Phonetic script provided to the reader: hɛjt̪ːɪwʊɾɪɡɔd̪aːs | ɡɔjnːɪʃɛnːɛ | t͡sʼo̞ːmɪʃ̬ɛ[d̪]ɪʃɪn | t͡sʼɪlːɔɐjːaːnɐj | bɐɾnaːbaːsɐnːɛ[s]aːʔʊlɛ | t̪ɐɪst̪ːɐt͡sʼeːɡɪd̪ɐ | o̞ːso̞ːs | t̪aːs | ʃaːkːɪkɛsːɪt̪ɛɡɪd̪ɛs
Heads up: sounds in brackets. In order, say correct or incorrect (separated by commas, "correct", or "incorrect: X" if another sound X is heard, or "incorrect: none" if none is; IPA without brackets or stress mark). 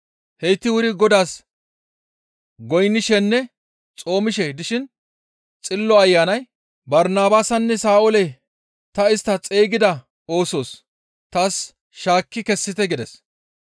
correct, correct